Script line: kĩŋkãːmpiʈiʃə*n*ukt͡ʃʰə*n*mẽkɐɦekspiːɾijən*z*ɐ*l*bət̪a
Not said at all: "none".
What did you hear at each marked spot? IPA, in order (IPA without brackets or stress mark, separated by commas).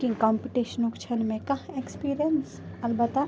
n, n, s, l